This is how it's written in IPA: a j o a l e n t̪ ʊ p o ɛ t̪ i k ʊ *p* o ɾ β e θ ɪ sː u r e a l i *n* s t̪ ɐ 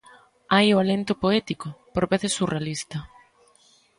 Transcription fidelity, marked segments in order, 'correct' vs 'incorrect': correct, incorrect

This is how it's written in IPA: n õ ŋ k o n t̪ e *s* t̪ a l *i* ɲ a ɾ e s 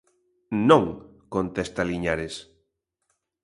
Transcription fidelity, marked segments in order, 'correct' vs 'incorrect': correct, correct

